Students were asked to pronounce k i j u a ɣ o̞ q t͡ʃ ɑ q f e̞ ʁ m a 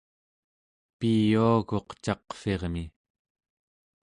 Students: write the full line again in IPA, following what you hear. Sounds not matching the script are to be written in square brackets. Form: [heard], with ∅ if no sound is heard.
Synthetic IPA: [p] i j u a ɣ o̞ q t͡ʃ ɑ q f e̞ ʁ m [i]

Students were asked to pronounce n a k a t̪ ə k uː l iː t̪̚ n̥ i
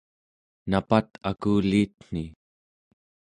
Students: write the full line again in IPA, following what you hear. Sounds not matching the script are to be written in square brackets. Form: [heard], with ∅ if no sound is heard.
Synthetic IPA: n a [p] a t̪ [a] k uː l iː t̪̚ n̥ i

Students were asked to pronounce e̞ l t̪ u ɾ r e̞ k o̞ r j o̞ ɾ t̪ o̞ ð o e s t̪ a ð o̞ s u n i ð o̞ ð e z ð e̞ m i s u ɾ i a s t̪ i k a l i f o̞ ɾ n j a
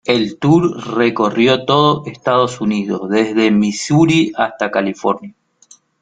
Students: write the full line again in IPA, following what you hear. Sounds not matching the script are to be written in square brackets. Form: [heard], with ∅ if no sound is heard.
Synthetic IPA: e̞ l t̪ u ɾ r e̞ k o̞ r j o̞ [∅] t̪ o̞ ð o e s t̪ a ð o̞ s u n i ð o̞ ð e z ð e̞ m i s u ɾ i a s t̪ [a] k a l i f o̞ ɾ n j a

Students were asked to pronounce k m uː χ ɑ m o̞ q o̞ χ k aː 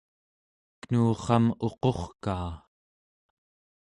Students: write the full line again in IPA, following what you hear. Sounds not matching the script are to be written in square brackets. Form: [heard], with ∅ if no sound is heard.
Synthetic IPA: k [n] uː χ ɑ m o̞ q o̞ χ k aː

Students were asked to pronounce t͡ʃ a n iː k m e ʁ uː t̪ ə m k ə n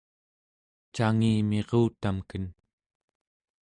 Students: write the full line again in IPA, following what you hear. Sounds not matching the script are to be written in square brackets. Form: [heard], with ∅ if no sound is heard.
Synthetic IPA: t͡ʃ a [ŋ] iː [∅] m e ʁ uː t̪ [a] m k ə n

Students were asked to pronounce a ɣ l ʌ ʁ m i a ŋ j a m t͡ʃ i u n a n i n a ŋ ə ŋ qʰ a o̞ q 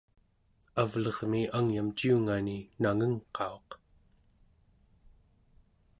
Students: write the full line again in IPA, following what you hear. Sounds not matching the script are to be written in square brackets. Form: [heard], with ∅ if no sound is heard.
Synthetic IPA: a [v] l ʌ ʁ m i a ŋ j a m t͡ʃ i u [ŋ] a n i n a ŋ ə ŋ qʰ [ɑ] o̞ q

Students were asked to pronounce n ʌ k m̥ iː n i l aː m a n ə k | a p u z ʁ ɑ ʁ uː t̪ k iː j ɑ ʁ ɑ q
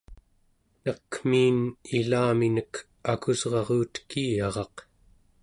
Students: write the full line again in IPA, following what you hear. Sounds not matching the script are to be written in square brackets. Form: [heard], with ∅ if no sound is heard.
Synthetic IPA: n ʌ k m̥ iː n i l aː m [i] n ə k | a [k] u z ʁ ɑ ʁ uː t̪ k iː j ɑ ʁ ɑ q

